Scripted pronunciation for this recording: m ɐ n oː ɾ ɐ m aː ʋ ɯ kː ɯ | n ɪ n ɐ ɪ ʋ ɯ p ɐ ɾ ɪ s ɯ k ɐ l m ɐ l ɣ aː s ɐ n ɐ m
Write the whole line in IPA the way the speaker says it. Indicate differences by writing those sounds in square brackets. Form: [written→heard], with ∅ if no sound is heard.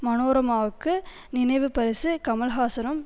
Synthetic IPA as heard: m ɐ n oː ɾ ɐ m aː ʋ ɯ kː ɯ | n ɪ n ɐ ɪ ʋ ɯ p ɐ ɾ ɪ s ɯ k ɐ [l→∅] m ɐ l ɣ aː s ɐ n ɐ m